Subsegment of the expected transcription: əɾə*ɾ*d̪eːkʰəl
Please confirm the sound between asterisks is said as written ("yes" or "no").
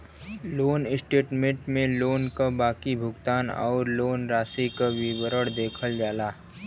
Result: no